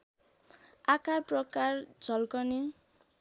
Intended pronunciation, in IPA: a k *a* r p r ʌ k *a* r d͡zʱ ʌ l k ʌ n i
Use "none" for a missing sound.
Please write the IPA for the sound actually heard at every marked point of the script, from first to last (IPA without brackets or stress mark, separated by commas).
a, a